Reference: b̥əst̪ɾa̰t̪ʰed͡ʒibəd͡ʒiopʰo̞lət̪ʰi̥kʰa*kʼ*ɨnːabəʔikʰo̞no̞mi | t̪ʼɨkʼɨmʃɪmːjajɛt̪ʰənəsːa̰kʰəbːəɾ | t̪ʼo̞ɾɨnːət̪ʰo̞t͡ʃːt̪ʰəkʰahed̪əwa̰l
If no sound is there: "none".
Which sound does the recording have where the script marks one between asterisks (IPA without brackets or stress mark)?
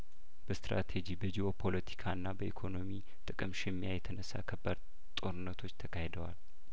none